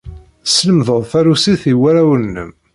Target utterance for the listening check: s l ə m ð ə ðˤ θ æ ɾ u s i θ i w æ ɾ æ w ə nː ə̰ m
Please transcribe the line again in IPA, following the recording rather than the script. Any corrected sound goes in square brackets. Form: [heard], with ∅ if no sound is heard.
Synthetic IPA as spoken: s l ə m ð ə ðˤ θ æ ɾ u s i θ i w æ ɾ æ w ə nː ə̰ m